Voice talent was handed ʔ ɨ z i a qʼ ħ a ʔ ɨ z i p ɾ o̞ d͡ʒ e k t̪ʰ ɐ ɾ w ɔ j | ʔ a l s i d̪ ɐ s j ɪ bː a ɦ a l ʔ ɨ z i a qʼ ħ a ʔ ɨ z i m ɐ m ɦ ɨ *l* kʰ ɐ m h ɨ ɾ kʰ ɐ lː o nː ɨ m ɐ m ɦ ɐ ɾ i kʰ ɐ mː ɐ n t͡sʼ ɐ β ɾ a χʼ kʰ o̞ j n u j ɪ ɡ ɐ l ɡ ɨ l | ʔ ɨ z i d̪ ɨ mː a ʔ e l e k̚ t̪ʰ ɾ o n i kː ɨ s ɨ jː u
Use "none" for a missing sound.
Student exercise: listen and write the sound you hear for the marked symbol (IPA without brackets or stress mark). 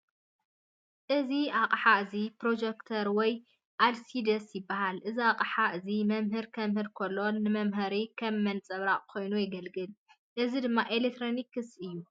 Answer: ɾ